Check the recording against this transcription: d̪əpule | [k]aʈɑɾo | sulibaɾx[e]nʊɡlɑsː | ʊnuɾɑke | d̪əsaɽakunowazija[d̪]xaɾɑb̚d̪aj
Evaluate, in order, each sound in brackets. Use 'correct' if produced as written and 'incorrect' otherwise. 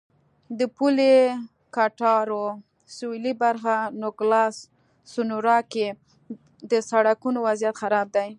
correct, incorrect: a, incorrect: t̪

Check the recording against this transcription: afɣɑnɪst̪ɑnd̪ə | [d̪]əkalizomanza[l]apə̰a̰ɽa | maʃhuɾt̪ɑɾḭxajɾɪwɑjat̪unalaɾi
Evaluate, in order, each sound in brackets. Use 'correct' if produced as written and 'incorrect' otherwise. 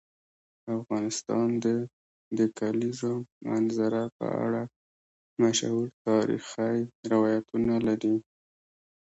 correct, incorrect: ɾ

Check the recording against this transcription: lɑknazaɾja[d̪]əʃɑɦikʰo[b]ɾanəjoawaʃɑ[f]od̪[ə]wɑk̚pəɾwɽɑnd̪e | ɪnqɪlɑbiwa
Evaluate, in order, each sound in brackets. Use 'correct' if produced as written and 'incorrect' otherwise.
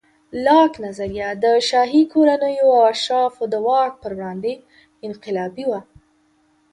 correct, incorrect: none, correct, correct

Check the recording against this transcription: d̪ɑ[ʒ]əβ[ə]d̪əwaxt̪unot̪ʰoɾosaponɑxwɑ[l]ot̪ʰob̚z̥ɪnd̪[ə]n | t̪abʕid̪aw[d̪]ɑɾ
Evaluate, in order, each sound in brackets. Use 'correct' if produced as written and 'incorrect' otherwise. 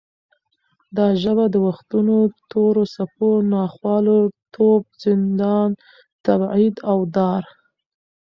correct, incorrect: a, correct, incorrect: ɑ, correct

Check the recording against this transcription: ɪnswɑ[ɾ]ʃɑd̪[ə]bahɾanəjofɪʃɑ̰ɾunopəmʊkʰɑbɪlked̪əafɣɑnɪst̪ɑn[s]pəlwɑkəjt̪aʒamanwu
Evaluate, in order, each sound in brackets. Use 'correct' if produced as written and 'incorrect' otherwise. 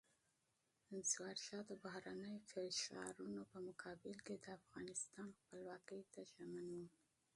correct, correct, incorrect: x

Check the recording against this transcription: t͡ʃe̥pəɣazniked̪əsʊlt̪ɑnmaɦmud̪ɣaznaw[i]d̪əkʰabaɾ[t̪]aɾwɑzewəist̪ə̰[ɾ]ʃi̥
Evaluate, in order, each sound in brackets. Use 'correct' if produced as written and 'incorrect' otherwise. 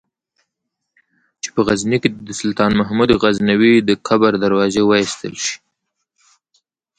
correct, incorrect: d̪, incorrect: l

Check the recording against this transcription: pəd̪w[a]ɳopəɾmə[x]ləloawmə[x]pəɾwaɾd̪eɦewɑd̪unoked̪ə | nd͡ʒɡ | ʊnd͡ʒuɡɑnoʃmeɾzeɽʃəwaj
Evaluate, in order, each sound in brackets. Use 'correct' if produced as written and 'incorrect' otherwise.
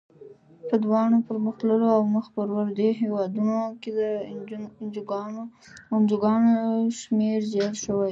incorrect: ɑ, correct, correct

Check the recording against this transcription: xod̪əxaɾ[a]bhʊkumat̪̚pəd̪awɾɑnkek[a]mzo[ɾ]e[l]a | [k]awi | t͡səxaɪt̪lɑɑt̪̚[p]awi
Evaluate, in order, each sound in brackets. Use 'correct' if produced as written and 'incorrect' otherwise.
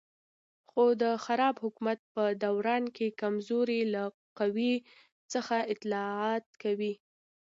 incorrect: ɑ, correct, correct, correct, incorrect: q, incorrect: k

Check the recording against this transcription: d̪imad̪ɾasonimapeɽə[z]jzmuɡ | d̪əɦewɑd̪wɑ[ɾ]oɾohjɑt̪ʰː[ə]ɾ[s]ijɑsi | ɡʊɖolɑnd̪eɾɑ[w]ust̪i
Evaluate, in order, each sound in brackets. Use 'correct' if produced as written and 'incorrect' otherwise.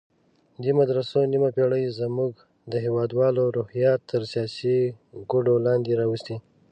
incorrect: none, incorrect: l, correct, correct, correct

